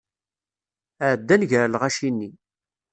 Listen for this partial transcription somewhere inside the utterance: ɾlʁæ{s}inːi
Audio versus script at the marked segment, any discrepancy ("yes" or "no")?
yes